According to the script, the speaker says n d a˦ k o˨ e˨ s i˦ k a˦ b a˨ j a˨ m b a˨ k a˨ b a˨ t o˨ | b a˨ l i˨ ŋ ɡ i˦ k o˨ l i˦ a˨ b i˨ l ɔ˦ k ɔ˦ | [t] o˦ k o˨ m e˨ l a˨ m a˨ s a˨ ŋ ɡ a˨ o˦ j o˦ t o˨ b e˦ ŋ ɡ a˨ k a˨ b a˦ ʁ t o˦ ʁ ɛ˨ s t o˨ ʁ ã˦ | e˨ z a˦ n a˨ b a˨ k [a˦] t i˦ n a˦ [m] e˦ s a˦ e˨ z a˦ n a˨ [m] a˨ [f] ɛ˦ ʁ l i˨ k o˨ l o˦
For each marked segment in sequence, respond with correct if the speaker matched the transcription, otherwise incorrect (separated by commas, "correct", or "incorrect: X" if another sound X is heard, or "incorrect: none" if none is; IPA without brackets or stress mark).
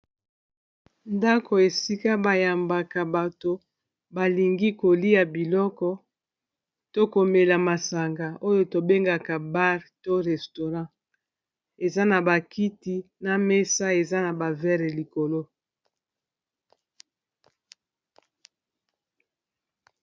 correct, incorrect: i˦, correct, incorrect: b, incorrect: v